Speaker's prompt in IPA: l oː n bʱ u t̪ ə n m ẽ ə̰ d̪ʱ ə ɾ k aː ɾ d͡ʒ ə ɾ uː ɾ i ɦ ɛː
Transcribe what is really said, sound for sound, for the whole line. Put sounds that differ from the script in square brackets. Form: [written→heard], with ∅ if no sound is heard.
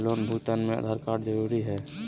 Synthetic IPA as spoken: l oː n bʱ u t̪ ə n m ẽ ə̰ d̪ʱ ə ɾ k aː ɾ d͡ʒ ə ɾ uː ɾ i ɦ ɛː